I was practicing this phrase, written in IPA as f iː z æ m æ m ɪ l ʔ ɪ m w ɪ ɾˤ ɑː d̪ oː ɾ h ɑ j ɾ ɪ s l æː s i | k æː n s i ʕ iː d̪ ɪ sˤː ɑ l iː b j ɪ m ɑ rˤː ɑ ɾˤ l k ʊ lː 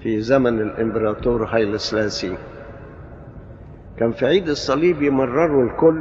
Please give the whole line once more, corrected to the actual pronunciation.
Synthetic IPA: f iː z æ m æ n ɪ l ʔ ɪ m b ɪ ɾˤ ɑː t̪ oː ɾ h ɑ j l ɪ s l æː s i | k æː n f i ʕ iː d̪ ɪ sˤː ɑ l iː b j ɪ m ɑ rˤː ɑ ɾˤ l k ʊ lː